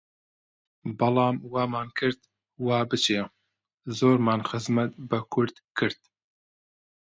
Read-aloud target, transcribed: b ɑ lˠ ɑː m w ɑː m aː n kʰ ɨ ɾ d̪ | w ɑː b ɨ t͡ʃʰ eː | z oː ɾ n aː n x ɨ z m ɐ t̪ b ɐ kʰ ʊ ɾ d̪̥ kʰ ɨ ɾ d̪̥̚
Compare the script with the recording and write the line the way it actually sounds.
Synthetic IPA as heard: b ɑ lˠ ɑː m w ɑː m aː n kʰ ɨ ɾ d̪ | w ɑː b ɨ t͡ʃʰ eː | z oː ɾ m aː n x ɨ z m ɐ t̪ b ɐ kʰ ʊ ɾ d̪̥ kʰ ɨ ɾ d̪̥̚